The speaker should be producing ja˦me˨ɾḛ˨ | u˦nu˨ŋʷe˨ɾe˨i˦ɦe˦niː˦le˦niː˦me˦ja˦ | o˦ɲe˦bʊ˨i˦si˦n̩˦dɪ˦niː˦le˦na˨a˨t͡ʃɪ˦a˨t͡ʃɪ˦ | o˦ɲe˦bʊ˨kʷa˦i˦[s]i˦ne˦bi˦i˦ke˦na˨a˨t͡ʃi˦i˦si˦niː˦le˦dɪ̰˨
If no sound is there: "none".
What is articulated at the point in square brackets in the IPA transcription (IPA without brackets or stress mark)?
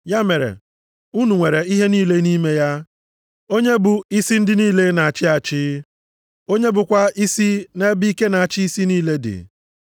s